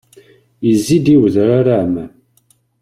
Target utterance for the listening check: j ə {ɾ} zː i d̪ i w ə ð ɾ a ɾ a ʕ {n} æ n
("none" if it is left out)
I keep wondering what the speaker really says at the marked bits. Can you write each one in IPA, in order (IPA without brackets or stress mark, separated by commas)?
none, m